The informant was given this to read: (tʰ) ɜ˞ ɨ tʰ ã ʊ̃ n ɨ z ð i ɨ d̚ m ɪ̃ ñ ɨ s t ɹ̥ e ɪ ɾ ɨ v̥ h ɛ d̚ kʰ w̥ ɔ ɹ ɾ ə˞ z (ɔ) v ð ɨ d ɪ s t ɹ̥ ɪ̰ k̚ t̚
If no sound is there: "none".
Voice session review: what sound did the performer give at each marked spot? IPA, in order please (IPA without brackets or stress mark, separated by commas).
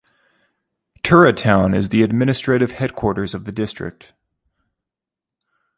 tʰ, ʌ